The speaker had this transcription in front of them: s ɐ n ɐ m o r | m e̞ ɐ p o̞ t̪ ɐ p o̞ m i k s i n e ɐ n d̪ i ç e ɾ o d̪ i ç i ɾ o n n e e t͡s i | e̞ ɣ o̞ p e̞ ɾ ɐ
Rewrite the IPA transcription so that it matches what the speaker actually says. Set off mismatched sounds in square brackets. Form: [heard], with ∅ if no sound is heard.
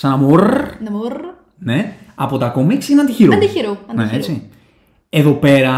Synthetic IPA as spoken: s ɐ n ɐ m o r | [n] e̞ ɐ p o̞ t̪ ɐ [k] o̞ m i k s i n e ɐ n d̪ i ç [i] ɾ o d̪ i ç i ɾ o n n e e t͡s i | e̞ [ð] o̞ p e̞ ɾ ɐ